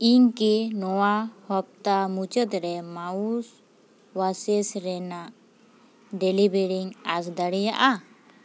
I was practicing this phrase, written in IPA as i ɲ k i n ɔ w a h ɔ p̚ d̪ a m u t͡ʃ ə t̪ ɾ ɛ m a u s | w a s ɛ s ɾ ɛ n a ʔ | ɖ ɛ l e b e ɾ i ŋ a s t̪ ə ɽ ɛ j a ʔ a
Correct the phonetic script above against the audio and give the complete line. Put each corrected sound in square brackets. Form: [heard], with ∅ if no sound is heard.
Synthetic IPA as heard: i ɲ k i n ɔ w a h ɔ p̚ [t̪] a m u t͡ʃ ə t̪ ɾ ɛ m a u s | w a s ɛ s ɾ ɛ n a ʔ | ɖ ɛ l [i] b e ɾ i ŋ a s [d̪] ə ɽ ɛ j a ʔ a

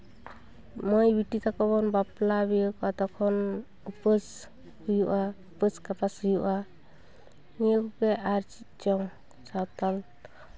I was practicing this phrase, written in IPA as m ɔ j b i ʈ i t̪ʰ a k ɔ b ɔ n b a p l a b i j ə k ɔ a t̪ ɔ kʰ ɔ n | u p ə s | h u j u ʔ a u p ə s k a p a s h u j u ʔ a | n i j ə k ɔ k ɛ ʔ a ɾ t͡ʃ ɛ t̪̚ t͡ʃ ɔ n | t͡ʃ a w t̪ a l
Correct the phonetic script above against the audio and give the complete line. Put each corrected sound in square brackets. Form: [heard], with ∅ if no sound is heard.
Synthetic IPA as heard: m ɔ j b i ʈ i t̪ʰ a k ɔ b ɔ n b a p l a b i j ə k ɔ a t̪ ɔ kʰ ɔ n | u p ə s | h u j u ʔ a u p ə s k a p a s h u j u ʔ a | n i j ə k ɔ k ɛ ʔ a ɾ t͡ʃ [i] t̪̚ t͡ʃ ɔ [ŋ] | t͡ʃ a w t̪ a l

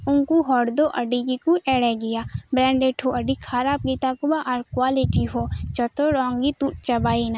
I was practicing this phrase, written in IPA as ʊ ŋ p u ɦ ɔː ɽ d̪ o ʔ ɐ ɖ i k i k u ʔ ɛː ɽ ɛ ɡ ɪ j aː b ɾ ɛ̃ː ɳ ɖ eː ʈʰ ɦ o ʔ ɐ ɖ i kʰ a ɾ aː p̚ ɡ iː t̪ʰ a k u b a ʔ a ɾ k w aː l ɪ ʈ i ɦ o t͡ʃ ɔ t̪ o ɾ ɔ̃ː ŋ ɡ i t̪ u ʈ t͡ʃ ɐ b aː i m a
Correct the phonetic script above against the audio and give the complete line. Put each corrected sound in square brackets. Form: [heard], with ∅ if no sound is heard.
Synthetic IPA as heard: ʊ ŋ [k] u ɦ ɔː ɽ d̪ o ʔ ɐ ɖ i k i k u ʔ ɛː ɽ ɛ ɡ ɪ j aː b ɾ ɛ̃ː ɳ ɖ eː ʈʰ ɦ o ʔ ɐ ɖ i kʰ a ɾ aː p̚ ɡ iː [t̪] a k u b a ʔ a ɾ k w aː l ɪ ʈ i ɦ o t͡ʃ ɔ t̪ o ɾ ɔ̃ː ŋ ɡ i t̪ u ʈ t͡ʃ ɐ b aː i [n] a

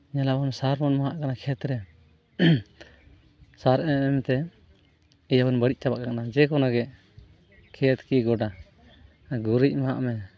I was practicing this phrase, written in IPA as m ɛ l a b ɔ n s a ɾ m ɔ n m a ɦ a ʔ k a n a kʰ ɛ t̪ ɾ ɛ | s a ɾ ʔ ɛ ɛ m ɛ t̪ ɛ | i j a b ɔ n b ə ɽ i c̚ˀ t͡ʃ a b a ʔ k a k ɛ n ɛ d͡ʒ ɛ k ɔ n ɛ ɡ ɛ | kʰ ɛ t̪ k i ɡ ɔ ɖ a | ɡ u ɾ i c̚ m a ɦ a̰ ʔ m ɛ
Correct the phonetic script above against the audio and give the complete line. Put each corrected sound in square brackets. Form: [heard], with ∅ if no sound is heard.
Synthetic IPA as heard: [ɲ] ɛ l a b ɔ n s a ɾ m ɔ n m a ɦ a ʔ k a n a kʰ ɛ t̪ ɾ ɛ | s a ɾ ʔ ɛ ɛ m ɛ t̪ ɛ | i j a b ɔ n b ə ɽ i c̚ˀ t͡ʃ a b a ʔ k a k [a] n [a] d͡ʒ ɛ k ɔ n [a] ɡ ɛ | kʰ ɛ t̪ k i ɡ ɔ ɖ a | ɡ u ɾ i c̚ m a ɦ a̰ ʔ m ɛ

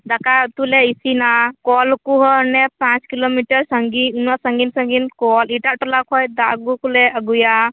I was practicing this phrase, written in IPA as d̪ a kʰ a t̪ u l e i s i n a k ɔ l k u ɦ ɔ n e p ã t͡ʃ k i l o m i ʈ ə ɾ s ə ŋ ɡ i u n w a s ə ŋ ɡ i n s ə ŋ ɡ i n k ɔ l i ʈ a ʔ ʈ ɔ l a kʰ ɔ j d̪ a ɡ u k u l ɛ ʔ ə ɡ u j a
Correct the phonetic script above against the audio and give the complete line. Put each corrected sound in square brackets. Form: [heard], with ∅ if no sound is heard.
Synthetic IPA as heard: d̪ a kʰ a t̪ u l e i s i n a k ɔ l k u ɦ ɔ n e p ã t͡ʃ k i l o m i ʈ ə ɾ s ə ŋ ɡ i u n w a s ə ŋ ɡ i n s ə ŋ ɡ i n k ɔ l i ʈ a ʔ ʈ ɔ l a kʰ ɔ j d̪ a ɡ u k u l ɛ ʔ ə ɡ u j a

